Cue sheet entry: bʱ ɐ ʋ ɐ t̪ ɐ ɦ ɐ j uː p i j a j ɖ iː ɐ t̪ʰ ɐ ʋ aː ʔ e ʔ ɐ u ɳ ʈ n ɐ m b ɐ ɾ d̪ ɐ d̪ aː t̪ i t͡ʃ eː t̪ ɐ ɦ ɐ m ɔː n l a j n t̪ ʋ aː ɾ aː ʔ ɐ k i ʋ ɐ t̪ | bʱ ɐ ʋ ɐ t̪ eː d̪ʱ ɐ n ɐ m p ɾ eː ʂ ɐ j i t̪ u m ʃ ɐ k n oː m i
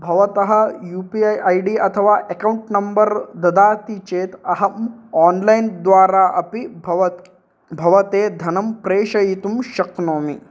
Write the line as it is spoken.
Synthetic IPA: bʱ ɐ ʋ ɐ t̪ ɐ ɦ ɐ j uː p i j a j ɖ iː ɐ t̪ʰ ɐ ʋ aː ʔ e k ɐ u ɳ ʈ n ɐ m b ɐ ɾ d̪ ɐ d̪ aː t̪ i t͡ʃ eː t̪ ɐ ɦ ɐ m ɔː n l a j n d̪ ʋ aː ɾ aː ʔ ɐ p i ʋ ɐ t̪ | bʱ ɐ ʋ ɐ t̪ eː d̪ʱ ɐ n ɐ m p ɾ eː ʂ ɐ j i t̪ u m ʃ ɐ k n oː m i